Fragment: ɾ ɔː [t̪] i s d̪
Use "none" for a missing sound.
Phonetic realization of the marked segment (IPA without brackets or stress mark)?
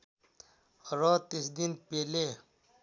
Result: t̪